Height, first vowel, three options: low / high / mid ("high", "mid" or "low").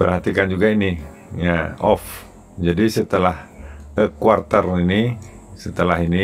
mid